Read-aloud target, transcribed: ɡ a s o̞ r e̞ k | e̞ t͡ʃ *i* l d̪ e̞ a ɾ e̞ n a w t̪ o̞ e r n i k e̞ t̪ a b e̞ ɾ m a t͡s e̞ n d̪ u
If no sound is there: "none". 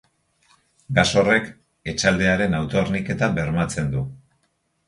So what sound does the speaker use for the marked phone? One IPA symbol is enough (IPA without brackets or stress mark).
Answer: a